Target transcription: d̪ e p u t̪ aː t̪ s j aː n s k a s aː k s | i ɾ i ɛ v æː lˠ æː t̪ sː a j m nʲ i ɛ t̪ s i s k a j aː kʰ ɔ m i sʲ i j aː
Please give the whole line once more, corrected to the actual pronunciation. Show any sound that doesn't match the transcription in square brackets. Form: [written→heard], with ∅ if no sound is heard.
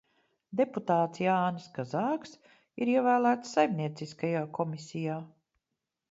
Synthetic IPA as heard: d̪ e p u t̪ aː t̪ s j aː n s k a [s→z] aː k s | i ɾ i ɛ v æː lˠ æː t̪ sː a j m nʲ i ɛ t̪ s i s k a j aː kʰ ɔ m i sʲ i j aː